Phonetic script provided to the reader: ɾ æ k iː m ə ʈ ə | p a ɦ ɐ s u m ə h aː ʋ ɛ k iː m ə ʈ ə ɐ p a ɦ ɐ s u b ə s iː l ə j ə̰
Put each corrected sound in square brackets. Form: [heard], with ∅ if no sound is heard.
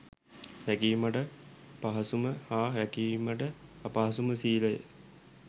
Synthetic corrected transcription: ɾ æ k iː m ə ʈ ə | p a ɦ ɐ s u m ə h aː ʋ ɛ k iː m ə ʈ ə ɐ p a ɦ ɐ s u [m] ə s iː l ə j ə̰